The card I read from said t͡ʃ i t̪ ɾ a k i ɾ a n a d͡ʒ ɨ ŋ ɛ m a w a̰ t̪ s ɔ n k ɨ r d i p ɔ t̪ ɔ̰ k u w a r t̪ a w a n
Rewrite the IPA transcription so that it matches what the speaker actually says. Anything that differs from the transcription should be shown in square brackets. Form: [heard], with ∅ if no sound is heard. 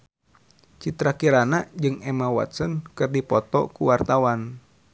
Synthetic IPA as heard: t͡ʃ i t̪ ɾ a k i ɾ a n a d͡ʒ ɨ ŋ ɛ m a w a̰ t̪ s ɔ n k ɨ r d i p ɔ t̪ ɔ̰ k u w a r t̪ a w a n